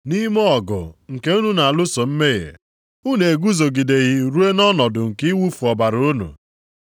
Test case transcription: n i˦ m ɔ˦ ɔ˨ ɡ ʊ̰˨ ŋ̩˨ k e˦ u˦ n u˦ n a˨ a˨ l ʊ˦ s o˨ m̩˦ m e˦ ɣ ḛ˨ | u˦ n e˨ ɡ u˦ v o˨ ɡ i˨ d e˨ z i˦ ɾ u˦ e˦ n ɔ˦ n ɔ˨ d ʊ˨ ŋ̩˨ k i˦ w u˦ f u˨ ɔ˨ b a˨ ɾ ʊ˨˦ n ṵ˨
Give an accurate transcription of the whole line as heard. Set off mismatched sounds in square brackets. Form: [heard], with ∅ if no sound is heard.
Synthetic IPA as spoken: n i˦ m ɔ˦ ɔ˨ ɡ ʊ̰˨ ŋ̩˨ k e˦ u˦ n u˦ n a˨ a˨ l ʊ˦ s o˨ m̩˦ m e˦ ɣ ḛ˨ | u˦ n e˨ ɡ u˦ [z] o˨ ɡ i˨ d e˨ [ɣ] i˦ ɾ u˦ e˦ n ɔ˦ n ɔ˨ d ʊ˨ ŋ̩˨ k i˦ w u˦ f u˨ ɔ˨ b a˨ ɾ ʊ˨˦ n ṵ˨